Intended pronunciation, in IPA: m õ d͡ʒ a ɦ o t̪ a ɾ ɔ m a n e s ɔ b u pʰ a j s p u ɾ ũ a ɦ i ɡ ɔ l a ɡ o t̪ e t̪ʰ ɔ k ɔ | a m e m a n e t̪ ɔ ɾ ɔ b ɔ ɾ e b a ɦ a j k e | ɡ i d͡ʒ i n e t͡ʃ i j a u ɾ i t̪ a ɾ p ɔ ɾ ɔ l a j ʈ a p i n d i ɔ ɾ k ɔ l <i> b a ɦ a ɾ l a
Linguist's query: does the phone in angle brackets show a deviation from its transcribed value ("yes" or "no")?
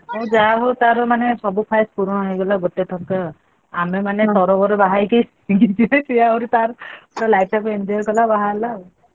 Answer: yes